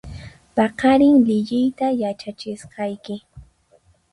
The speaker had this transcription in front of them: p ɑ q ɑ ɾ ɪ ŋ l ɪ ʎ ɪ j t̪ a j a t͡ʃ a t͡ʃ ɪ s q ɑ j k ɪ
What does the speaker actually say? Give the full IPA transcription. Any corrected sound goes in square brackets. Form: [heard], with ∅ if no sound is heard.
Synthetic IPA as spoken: p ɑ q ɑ ɾ ɪ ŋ l ɪ ʎ ɪ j t̪ a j a t͡ʃ a t͡ʃ ɪ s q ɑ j k ɪ